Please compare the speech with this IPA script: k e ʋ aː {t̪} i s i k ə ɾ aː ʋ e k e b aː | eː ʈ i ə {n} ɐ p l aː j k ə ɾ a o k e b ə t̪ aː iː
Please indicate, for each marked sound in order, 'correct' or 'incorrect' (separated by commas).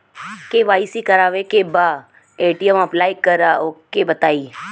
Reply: incorrect, incorrect